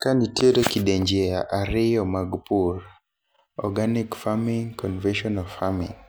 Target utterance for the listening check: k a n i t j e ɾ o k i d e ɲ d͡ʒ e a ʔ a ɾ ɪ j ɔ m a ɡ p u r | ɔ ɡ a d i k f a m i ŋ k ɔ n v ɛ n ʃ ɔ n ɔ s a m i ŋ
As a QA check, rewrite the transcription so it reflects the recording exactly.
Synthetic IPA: k a n i t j e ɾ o k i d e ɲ d͡ʒ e a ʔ a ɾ ɪ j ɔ m a ɡ p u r | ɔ ɡ a n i k f a m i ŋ k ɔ n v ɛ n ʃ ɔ n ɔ f a m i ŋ

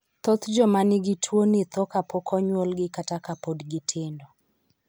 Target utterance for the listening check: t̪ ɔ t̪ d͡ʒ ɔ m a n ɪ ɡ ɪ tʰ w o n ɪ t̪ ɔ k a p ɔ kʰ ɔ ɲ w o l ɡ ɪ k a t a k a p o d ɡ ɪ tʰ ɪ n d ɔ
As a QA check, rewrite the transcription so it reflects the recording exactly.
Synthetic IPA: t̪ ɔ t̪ d͡ʒ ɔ m a n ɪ ɡ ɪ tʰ w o n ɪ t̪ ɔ k a p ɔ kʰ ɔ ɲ w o l ɡ ɪ k a t a k a p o d ɡ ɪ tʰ ɪ n d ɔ

